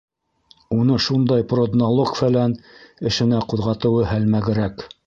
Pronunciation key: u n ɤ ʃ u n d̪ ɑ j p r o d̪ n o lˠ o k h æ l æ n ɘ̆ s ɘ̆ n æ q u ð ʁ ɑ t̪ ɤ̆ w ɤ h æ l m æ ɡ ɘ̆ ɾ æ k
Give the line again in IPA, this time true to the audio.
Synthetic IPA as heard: u n ɤ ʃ u n d̪ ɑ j p r o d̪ n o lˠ o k f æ l æ n ɘ̆ ʃ ɘ̆ n æ q u ð ʁ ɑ t̪ ɤ̆ w ɤ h æ l m æ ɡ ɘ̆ ɾ æ k